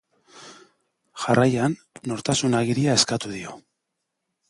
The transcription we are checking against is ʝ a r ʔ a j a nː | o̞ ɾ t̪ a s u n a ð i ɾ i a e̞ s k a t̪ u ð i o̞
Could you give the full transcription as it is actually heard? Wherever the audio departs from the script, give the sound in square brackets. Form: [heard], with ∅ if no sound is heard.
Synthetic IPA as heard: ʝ a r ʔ a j a nː | o̞ ɾ t̪ a s u n a [ɣ] i ɾ i a e̞ s k a t̪ u ð i o̞